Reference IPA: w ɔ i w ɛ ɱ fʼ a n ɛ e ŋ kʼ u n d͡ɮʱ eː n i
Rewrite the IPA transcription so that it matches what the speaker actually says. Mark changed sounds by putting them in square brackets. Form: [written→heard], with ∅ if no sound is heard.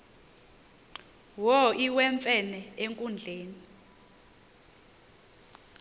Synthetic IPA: w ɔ i w ɛ ɱ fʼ [a→ɛ] n ɛ e ŋ kʼ u n d͡ɮʱ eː n i